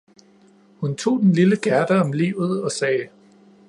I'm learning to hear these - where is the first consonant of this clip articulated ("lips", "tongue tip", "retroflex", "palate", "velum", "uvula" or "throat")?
throat